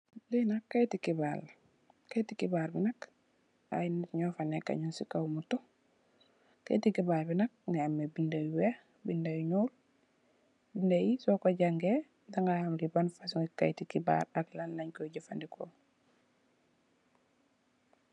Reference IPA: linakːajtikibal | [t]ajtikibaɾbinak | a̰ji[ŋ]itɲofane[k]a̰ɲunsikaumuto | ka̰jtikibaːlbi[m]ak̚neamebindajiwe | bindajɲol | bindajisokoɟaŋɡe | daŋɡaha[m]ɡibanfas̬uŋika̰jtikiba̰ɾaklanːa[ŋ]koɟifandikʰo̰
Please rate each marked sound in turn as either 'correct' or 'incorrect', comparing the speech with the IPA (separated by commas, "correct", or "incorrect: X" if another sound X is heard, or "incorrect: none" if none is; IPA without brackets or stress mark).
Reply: incorrect: k, incorrect: n, correct, incorrect: n, correct, incorrect: ɲ